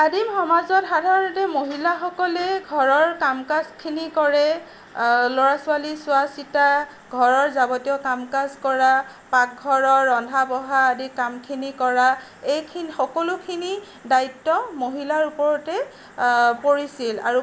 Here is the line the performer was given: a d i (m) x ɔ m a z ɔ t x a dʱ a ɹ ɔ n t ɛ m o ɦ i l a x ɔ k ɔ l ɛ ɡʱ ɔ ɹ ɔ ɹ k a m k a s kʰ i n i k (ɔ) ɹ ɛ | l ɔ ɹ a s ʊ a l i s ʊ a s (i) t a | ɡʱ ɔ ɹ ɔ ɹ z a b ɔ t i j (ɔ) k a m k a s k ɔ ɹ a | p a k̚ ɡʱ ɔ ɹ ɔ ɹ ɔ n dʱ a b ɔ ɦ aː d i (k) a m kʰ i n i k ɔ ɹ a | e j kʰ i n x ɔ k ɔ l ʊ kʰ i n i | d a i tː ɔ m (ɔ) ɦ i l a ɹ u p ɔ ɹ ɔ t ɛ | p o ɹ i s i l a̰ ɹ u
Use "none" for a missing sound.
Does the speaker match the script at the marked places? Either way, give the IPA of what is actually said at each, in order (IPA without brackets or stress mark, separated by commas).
m, ɔ, i, ɔ, k, o